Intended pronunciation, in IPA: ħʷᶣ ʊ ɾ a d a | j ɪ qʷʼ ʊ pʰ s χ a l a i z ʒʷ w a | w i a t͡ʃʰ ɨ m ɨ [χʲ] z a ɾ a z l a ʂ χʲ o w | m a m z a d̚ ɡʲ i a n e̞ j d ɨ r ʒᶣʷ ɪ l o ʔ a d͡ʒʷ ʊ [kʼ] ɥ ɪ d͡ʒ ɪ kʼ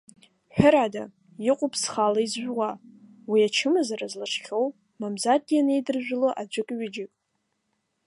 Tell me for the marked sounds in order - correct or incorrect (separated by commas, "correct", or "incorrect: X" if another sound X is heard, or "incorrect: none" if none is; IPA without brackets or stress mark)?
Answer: incorrect: none, correct